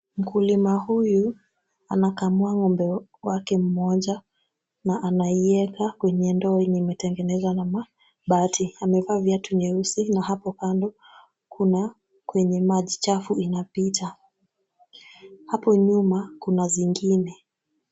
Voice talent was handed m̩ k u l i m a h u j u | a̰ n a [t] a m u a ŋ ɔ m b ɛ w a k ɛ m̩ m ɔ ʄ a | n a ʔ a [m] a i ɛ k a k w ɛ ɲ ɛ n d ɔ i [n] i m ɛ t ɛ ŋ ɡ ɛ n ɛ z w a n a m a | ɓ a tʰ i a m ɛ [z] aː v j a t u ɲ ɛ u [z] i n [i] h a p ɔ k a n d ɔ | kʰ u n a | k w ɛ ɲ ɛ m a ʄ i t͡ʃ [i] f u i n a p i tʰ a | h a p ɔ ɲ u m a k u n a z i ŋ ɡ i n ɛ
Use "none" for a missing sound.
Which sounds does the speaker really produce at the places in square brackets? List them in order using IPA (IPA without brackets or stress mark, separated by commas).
k, n, n, v, s, a, a